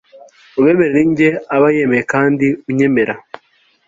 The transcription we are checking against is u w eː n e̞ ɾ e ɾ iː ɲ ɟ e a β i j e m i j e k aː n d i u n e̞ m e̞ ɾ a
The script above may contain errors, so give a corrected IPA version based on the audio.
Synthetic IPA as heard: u β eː m e̞ ɾ e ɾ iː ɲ ɟ e a β a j e m e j e k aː n d i u ɲ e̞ m e̞ ɾ a